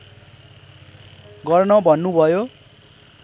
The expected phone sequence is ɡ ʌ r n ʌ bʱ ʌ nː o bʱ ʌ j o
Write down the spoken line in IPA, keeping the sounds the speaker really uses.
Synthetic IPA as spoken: ɡ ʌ r n ʌ bʱ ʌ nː u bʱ ʌ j o